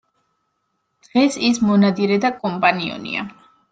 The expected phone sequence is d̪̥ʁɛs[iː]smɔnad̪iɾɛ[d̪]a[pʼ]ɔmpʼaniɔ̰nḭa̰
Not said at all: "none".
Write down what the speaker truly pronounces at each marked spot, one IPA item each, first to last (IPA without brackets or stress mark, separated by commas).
i, d̪, kʼ